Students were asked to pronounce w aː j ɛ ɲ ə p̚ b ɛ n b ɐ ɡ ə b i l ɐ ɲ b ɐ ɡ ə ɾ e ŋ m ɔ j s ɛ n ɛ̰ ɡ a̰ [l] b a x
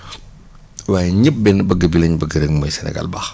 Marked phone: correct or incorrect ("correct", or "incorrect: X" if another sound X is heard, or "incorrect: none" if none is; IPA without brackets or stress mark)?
correct